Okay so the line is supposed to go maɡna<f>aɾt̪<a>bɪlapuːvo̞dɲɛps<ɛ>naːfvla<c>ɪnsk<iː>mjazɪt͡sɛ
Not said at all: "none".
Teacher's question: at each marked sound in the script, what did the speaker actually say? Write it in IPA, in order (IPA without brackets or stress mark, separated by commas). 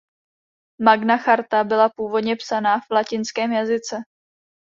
x, a, a, c, ɛː